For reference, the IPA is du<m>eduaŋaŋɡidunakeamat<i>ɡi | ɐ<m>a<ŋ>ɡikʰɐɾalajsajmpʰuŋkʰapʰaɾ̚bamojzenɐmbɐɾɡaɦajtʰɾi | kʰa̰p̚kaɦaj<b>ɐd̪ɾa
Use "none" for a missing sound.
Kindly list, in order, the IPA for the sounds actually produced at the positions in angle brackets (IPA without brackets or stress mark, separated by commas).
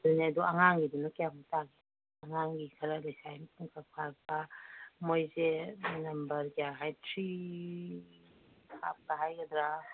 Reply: n, a, ŋ, ŋ, ɡ